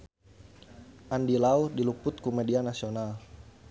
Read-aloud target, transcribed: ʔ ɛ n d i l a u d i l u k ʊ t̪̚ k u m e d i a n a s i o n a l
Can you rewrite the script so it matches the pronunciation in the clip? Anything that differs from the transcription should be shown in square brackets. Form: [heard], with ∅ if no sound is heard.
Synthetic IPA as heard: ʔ [a] n d i l a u d i l u [p] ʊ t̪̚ k u m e d i a n a s i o n a l